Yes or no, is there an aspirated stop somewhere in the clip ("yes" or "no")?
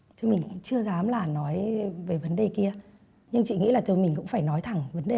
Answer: yes